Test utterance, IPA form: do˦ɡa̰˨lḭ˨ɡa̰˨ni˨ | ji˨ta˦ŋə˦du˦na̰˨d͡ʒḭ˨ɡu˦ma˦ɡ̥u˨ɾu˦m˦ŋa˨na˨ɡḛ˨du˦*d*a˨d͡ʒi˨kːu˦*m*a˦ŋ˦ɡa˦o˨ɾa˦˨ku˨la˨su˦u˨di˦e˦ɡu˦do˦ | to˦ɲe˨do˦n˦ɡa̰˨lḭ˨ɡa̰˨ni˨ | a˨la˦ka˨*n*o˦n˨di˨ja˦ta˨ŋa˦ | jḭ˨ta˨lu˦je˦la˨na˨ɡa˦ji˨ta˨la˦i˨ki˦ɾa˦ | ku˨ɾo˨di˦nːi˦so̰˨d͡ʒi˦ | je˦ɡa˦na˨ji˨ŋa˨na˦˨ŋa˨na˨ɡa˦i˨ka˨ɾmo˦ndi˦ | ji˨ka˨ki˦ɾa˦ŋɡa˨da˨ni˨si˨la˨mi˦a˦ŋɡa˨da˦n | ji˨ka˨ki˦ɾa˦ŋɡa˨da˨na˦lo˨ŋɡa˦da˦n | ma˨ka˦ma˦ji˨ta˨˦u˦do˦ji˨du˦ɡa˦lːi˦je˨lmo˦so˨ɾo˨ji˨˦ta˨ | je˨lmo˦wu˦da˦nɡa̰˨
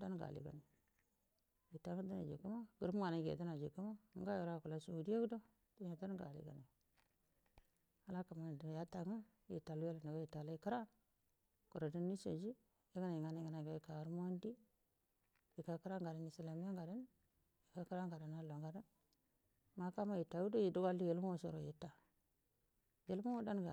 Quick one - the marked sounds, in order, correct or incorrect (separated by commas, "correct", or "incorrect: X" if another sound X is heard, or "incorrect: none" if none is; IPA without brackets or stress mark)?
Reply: incorrect: n, correct, incorrect: m